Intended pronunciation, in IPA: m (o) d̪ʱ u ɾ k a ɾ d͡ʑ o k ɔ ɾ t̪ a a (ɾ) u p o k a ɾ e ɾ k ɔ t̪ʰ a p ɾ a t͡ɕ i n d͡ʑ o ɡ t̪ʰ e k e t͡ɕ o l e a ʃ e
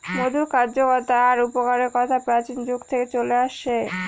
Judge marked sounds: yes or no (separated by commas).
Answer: yes, yes